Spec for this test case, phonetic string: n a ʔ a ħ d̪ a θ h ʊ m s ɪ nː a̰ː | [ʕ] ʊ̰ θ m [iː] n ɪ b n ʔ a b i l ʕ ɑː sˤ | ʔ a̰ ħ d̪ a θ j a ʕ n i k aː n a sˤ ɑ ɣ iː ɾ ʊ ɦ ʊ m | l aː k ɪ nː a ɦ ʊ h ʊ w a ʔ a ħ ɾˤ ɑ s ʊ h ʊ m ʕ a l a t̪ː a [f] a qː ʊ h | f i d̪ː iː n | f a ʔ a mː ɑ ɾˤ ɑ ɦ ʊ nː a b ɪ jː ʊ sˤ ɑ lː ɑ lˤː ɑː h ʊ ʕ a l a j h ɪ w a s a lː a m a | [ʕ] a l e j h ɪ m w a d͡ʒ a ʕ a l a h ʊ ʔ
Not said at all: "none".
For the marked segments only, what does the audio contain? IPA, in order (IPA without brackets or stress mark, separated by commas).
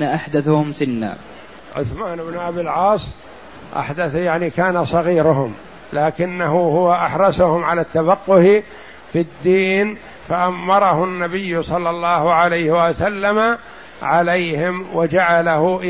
ʕ, aː, f, ʕ